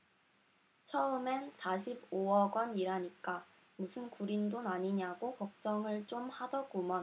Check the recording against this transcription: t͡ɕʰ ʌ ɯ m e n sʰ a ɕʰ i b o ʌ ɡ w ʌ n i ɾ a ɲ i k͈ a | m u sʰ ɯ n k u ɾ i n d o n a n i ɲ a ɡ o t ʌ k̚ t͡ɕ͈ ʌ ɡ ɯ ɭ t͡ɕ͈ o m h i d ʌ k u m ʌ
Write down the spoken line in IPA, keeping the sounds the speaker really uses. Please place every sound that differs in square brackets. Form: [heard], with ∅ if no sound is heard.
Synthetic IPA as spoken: t͡ɕʰ ʌ ɯ m e n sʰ a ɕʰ i b o ʌ ɡ w ʌ n i ɾ a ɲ i k͈ a | m u sʰ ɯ n k u ɾ i n d o n a [ɲ] i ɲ a ɡ o [k] ʌ k̚ t͡ɕ͈ ʌ [ŋ] ɯ ɭ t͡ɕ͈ o m h [a] d ʌ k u m ʌ